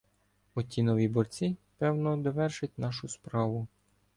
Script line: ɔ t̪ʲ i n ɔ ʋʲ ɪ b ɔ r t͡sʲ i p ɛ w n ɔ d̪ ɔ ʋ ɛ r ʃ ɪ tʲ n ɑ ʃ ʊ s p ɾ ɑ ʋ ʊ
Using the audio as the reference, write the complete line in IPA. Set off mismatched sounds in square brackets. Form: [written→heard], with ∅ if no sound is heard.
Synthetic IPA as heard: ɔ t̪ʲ i n ɔ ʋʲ [ɪ→i] b ɔ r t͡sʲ i p ɛ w n ɔ d̪ ɔ ʋ ɛ r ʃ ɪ tʲ n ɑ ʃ ʊ s p ɾ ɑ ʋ ʊ